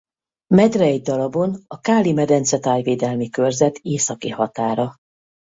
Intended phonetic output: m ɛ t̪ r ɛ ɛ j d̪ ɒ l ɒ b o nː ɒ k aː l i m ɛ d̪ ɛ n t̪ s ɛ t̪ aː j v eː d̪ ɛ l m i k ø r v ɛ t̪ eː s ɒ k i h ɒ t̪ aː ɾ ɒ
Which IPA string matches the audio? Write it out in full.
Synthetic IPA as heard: m ɛ d̪ r ɛ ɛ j d̪ ɒ l ɒ b o n ɒ k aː l i m ɛ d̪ ɛ n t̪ s ɛ t̪ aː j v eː d̪ ɛ l m i k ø r z ɛ t̪ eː s ɒ k i h ɒ t̪ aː ɾ ɒ

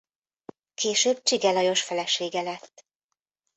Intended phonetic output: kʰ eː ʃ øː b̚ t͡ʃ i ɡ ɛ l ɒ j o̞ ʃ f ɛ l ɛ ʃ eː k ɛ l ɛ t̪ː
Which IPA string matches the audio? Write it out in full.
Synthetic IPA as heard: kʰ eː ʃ øː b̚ t͡ʃ i ɡ ɛ l ɒ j o̞ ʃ f ɛ l ɛ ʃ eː ɡ ɛ l ɛ t̪ː

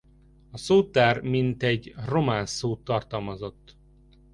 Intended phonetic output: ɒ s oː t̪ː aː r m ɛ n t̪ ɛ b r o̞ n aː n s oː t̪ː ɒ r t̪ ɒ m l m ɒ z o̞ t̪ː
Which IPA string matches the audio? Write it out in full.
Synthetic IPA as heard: ɒ s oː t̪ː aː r m i n t̪ ɛ ɟ r o̞ m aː n s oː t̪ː ɒ r t̪ ɒ l m ɒ z o̞ t̪ː

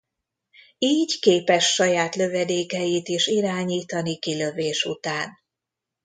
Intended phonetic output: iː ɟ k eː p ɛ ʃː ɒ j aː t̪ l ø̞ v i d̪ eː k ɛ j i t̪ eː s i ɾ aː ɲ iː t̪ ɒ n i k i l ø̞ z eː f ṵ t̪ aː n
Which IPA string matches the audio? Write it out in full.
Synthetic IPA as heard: iː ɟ k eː p ɛ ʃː ɒ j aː t̪ l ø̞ v ɛ d̪ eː k ɛ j i t̪ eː ʃ i ɾ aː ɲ iː t̪ ɒ n i k i l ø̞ v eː ʃ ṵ t̪ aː n

